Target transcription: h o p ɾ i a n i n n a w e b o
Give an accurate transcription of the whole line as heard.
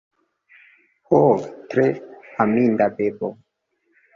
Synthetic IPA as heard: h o t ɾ e a m i n d a b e b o